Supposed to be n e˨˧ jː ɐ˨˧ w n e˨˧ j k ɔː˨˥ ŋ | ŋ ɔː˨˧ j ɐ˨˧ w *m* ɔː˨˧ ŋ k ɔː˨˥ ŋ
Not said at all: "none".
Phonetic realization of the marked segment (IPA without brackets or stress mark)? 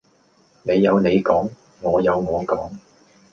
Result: ŋ